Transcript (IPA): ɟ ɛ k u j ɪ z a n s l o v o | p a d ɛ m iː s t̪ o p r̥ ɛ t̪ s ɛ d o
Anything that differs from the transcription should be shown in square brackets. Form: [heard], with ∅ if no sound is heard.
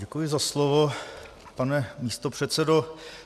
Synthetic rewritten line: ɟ ɛ k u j ɪ z a [∅] s l o v o | p a [n] ɛ m iː s t̪ o p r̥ ɛ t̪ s ɛ d o